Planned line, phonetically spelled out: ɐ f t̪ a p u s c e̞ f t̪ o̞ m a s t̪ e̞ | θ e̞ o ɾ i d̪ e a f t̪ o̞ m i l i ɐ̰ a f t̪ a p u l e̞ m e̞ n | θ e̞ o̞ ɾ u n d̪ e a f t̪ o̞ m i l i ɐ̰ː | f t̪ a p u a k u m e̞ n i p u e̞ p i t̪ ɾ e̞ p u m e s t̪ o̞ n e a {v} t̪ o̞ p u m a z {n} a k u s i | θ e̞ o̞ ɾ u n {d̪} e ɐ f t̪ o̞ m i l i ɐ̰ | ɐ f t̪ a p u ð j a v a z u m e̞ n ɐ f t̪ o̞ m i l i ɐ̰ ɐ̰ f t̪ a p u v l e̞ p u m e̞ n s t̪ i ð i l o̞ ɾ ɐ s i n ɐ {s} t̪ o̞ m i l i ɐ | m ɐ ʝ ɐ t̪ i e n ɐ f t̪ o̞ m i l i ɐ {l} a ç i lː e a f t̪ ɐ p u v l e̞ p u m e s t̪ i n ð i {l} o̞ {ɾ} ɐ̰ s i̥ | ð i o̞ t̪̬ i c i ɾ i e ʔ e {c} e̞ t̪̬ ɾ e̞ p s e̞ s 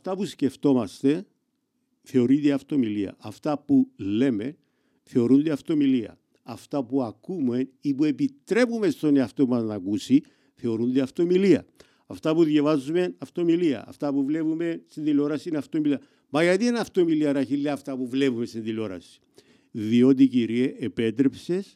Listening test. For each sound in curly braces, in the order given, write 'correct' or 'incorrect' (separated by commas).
incorrect, correct, correct, incorrect, incorrect, correct, correct, incorrect